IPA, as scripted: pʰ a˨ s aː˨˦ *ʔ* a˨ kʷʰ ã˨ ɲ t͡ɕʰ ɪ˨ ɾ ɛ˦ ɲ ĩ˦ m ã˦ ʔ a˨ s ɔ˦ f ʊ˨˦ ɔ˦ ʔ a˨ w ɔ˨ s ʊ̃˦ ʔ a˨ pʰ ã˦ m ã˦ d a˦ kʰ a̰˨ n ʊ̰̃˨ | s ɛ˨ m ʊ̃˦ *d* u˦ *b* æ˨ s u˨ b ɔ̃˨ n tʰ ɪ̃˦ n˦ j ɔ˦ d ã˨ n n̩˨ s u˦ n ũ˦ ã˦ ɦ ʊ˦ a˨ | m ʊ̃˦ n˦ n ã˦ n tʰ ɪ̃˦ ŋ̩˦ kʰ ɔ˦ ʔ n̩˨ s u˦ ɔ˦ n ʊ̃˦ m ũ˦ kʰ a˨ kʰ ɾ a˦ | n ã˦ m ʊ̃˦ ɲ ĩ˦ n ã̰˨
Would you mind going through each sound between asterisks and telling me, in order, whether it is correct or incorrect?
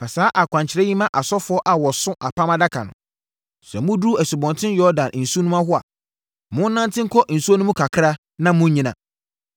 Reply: correct, correct, incorrect: none

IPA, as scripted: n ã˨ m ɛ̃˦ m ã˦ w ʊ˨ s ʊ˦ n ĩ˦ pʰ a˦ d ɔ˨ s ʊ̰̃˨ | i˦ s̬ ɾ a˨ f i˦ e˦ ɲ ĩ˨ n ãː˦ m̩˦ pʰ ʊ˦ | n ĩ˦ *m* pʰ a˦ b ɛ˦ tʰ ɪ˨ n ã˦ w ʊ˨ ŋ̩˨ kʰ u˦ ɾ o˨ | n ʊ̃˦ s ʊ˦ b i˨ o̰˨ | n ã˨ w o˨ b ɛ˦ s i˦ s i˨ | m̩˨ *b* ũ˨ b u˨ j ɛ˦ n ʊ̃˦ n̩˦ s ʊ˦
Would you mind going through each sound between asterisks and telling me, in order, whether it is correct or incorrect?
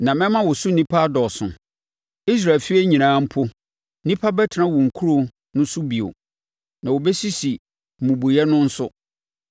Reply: incorrect: none, incorrect: m

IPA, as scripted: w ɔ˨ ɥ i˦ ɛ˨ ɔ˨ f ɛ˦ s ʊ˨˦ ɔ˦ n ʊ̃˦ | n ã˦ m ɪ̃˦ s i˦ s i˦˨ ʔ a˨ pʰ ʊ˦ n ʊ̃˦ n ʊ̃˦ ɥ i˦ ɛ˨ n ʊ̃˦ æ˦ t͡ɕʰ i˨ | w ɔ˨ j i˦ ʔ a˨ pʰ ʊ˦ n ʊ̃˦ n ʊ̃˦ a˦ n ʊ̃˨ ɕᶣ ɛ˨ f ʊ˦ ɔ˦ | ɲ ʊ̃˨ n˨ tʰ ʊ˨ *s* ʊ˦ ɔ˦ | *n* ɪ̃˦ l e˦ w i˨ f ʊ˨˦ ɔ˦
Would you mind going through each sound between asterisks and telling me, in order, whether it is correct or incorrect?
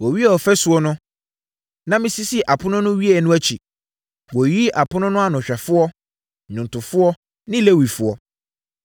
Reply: incorrect: f, correct

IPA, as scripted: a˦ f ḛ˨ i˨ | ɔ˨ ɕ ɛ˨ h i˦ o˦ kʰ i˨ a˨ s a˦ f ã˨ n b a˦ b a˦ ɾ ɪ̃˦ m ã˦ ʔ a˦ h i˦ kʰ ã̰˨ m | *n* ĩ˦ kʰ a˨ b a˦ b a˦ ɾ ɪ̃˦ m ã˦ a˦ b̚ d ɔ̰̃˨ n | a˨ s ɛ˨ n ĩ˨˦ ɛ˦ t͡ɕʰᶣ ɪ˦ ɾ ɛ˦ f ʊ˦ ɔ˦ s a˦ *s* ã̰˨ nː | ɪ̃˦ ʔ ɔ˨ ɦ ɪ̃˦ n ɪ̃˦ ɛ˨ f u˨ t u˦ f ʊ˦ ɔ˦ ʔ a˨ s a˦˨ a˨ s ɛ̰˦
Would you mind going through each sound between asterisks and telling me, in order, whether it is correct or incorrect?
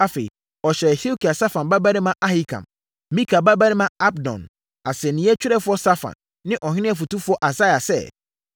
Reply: incorrect: m, incorrect: f

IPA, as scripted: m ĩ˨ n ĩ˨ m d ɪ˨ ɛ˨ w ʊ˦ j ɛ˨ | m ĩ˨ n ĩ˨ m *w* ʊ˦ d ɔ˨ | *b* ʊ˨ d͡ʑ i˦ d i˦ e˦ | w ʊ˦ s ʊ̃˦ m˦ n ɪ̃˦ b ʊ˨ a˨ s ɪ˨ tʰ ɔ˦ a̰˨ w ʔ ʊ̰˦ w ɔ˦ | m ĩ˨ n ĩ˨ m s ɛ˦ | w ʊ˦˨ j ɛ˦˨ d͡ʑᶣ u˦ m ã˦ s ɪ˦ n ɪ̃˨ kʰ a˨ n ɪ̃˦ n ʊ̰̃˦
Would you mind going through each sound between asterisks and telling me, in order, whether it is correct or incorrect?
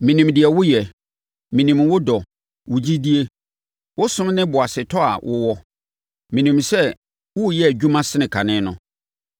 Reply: correct, incorrect: w

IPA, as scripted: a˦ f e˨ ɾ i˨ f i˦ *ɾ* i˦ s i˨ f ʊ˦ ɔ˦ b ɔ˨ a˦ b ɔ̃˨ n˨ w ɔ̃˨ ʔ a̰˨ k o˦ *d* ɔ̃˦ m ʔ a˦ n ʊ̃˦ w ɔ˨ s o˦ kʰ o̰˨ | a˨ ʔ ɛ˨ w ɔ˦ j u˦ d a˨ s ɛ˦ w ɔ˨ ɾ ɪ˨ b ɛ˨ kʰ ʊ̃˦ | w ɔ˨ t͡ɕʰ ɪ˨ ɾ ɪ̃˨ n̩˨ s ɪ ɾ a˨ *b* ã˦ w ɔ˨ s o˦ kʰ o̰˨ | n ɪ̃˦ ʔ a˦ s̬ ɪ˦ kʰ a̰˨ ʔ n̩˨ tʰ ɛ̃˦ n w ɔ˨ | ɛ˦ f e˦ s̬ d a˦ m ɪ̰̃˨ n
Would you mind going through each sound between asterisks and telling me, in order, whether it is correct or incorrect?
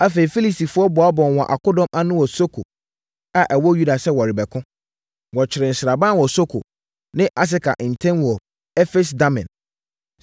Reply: incorrect: l, correct, correct

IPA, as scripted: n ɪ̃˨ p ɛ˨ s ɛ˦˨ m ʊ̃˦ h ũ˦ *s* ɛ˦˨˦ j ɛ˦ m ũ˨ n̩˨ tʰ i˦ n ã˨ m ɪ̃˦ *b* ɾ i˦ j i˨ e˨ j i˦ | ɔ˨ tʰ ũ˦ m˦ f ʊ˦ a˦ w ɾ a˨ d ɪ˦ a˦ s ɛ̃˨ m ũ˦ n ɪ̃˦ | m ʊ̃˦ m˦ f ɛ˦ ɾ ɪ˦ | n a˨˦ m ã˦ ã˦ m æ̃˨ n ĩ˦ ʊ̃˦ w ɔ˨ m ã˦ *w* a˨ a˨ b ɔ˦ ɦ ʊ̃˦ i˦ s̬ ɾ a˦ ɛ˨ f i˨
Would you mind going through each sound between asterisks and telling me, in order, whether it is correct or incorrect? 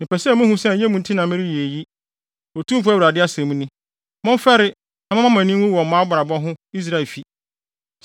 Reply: correct, incorrect: none, incorrect: b

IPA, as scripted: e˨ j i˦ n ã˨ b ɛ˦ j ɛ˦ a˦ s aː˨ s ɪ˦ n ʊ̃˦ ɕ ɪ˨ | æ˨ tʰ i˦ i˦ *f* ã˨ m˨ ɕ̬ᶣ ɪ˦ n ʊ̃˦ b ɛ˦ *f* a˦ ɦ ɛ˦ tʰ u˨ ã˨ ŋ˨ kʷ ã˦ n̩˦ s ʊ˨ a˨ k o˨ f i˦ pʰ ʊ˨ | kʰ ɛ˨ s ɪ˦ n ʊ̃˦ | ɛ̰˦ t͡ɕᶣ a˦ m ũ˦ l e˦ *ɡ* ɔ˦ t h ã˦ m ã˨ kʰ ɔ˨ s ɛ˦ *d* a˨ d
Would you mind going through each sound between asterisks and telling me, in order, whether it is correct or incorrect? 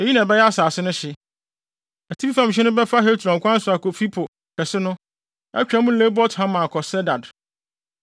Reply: correct, correct, incorrect: b, correct

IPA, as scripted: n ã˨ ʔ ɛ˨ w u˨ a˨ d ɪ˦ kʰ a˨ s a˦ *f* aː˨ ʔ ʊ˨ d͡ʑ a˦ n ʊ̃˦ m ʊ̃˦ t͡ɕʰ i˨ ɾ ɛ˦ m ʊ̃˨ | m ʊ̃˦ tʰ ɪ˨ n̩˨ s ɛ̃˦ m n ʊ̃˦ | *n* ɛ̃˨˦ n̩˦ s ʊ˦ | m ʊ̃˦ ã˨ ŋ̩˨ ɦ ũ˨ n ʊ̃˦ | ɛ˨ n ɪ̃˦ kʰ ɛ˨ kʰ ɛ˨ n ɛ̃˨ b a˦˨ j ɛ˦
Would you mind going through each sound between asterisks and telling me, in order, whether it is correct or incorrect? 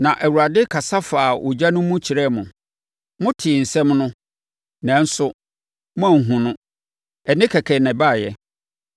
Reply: correct, correct

